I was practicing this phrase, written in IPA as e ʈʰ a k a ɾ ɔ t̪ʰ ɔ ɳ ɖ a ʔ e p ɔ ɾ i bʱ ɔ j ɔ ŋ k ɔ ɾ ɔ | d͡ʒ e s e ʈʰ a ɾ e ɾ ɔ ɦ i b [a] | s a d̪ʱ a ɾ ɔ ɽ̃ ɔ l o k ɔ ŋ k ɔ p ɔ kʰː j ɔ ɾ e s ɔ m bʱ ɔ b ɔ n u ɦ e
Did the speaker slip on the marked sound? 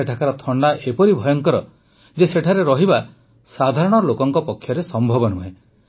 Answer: no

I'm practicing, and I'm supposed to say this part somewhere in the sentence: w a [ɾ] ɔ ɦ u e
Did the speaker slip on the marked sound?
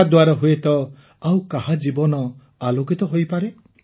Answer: no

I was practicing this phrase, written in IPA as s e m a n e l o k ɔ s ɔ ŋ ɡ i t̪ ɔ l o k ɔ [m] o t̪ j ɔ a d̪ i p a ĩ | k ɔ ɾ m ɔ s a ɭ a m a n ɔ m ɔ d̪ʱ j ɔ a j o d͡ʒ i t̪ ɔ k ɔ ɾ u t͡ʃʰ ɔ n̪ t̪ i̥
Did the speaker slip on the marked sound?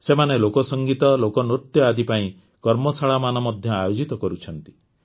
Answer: yes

